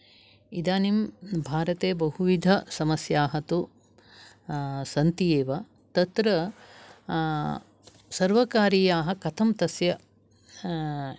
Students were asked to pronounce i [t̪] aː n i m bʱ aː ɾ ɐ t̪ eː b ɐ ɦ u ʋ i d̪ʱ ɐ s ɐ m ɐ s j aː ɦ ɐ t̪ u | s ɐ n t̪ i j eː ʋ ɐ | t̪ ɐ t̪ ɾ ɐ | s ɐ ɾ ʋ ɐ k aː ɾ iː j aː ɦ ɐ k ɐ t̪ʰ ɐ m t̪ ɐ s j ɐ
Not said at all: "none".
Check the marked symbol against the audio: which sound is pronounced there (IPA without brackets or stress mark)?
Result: d̪